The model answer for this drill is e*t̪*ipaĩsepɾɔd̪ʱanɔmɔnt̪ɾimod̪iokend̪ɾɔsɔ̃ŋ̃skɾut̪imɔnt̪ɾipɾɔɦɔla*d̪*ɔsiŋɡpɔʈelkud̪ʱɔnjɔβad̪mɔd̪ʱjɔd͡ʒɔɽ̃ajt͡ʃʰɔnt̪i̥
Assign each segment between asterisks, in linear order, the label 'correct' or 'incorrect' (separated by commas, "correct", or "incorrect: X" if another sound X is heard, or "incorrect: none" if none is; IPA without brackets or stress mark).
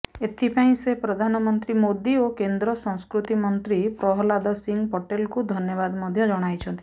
incorrect: t̪ʰ, correct